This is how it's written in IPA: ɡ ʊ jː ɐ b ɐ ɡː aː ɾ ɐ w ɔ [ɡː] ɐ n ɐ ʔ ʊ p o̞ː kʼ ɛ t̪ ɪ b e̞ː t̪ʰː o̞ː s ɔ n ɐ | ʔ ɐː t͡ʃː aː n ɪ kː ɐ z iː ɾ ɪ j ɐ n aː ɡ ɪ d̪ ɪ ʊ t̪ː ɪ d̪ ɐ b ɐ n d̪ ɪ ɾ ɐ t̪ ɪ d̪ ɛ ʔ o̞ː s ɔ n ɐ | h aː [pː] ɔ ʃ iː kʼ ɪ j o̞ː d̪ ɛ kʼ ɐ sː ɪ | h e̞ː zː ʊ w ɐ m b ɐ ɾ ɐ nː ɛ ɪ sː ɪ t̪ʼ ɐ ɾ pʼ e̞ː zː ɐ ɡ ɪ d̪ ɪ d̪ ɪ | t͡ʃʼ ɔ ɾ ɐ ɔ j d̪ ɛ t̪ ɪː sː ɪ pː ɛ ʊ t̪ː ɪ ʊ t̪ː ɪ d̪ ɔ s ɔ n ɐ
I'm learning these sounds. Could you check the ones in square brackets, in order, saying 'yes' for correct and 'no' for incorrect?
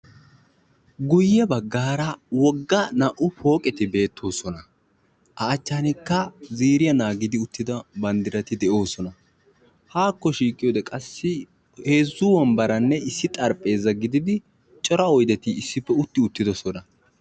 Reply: yes, no

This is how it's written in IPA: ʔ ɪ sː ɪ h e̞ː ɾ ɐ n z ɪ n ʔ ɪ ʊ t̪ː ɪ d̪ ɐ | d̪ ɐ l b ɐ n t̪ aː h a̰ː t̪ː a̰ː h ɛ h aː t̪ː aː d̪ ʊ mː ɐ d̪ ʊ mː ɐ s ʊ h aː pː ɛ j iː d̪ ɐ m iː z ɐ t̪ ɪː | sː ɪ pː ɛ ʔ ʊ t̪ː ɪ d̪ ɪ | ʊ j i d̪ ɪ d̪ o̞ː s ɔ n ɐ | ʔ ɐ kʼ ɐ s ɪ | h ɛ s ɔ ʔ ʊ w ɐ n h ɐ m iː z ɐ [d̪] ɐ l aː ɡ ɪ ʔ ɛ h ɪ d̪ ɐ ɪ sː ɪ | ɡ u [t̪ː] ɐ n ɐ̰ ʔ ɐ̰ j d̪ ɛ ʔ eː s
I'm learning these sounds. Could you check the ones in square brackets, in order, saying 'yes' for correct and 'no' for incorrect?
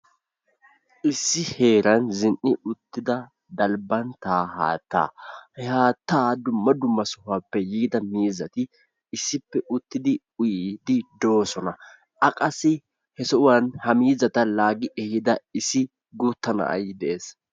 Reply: no, yes

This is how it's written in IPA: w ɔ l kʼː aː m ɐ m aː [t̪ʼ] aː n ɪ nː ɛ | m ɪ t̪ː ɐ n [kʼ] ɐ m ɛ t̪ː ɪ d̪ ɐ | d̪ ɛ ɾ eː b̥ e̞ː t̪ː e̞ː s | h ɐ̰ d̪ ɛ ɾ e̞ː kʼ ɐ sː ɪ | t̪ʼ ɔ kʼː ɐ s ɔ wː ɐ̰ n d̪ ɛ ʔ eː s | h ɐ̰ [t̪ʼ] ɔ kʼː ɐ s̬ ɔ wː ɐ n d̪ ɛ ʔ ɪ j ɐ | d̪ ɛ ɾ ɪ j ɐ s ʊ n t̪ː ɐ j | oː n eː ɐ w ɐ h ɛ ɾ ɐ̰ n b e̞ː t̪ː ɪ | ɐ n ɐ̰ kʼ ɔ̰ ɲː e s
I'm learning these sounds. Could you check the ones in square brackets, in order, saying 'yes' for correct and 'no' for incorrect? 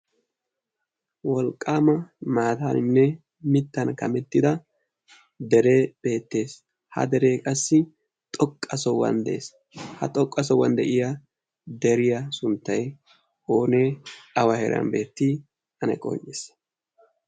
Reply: no, no, yes

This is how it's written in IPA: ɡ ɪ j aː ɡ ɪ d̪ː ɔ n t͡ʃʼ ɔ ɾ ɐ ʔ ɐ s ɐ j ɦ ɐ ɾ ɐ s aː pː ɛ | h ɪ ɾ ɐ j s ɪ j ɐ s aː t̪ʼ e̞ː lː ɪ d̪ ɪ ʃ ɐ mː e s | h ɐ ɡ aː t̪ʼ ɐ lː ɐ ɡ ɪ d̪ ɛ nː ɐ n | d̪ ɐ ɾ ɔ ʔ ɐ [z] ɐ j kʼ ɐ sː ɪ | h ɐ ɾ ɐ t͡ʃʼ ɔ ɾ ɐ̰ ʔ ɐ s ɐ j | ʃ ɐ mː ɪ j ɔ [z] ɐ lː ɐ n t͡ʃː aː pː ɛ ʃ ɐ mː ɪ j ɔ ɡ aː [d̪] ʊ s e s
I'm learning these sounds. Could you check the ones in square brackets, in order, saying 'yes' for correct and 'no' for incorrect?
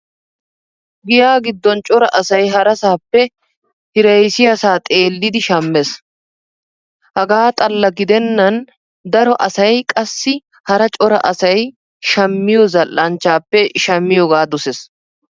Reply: no, yes, yes

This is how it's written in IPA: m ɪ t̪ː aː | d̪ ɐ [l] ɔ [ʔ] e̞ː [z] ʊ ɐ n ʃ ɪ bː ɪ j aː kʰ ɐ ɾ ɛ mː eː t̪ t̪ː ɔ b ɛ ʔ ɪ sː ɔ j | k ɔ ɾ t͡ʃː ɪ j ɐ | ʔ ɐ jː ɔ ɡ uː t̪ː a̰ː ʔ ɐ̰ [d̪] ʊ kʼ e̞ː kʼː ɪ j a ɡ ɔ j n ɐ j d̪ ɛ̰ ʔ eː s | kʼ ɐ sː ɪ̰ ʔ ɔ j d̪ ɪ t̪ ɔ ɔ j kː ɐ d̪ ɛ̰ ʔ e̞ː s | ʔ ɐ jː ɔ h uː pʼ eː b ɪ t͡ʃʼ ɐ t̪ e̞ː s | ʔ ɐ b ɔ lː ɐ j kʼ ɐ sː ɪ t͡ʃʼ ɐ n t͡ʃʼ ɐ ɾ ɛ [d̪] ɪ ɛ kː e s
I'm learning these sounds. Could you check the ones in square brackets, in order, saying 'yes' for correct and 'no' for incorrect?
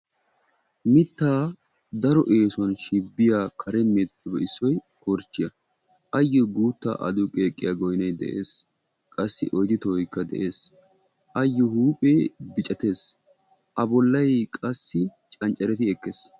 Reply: no, yes, no, yes, no

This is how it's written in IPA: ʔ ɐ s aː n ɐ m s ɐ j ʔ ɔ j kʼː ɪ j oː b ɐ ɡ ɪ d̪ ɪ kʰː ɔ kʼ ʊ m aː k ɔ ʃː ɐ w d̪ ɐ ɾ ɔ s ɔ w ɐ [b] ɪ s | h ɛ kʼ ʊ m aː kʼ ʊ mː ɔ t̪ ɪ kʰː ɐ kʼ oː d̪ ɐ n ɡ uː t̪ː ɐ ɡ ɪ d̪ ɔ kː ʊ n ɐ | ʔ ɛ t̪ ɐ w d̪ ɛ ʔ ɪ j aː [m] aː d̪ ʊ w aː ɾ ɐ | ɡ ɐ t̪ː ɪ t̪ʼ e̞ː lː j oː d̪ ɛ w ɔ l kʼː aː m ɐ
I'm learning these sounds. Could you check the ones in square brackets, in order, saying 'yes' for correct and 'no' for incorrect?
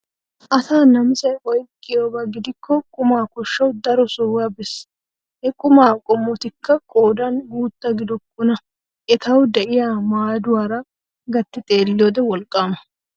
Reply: yes, yes

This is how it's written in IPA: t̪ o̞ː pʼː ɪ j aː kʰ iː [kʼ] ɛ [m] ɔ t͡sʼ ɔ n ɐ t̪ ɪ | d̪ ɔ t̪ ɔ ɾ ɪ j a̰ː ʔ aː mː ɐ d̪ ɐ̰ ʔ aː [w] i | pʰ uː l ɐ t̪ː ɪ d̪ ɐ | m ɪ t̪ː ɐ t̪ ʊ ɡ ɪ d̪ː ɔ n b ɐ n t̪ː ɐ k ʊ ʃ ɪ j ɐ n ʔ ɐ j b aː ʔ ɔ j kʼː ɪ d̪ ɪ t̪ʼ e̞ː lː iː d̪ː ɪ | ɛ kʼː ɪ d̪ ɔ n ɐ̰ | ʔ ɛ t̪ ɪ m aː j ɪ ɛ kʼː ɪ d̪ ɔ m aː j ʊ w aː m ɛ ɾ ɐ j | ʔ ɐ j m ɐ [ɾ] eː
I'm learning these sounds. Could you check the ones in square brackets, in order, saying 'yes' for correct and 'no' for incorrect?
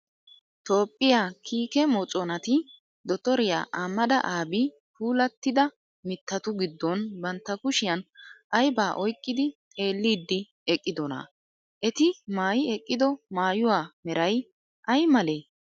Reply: no, yes, no, no

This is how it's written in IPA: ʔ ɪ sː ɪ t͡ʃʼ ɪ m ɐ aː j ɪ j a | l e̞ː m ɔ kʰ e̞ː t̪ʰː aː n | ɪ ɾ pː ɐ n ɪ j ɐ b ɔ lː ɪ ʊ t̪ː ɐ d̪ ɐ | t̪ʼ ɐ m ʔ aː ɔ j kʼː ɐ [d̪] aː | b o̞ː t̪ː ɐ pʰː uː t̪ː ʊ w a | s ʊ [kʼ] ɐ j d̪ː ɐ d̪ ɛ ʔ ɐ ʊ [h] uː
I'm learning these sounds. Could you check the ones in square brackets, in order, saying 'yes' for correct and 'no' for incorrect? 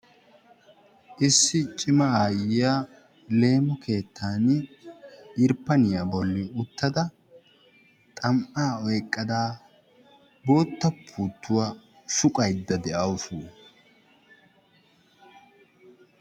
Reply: yes, yes, no

